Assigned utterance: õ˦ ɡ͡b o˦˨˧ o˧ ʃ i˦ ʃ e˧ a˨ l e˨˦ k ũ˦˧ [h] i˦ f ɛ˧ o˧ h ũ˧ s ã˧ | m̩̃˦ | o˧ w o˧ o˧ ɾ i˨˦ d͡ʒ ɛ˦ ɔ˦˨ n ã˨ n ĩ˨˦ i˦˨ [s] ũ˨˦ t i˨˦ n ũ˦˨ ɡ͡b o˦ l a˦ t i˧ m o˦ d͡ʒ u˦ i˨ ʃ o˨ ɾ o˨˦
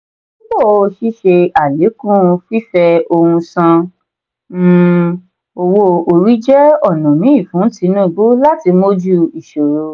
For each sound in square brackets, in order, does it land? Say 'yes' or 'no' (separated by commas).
no, no